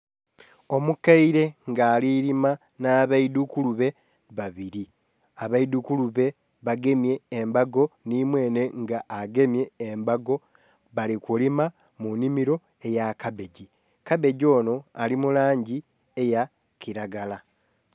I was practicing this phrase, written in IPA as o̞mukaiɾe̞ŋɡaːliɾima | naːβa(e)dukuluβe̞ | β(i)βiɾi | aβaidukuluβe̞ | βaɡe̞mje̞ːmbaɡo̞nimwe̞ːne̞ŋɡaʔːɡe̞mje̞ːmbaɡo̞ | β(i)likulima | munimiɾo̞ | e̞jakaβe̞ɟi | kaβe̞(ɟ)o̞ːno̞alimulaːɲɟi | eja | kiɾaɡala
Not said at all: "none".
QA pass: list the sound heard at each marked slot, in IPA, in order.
i, a, a, ɟ

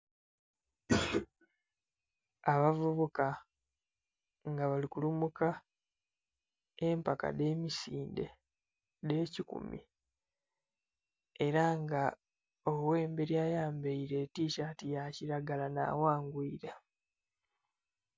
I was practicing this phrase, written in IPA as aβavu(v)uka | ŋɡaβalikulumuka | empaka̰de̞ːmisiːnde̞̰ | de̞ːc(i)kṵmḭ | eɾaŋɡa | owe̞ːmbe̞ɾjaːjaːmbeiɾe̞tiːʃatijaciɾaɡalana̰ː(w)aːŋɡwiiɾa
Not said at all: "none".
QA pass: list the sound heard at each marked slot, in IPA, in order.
β, i, w

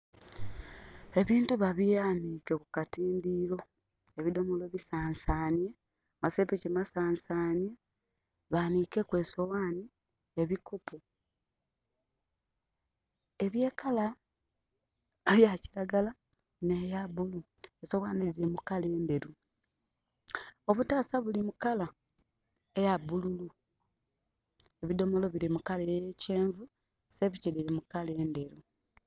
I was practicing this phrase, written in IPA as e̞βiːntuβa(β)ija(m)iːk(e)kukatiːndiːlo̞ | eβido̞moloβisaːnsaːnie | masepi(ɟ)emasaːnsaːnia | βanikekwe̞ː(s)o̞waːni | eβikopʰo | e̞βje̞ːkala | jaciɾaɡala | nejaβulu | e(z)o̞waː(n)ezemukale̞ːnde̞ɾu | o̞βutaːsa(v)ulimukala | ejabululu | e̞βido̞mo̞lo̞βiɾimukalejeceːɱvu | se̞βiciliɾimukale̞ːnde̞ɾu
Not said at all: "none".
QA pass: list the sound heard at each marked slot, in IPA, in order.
β, n, e, c, s, s, n, β

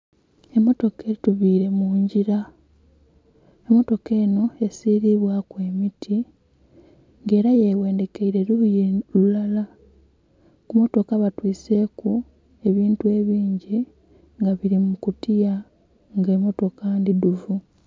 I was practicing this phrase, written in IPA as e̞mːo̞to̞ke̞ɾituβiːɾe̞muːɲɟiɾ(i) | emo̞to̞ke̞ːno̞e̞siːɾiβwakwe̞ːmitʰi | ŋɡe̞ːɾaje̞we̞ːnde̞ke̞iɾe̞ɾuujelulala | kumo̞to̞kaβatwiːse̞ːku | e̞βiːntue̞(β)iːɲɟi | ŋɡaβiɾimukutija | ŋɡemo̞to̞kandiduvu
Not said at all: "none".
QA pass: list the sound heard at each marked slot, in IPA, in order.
a, β

